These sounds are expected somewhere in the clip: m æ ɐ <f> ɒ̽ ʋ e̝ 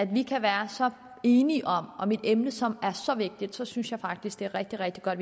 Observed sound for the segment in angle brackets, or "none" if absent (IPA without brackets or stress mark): s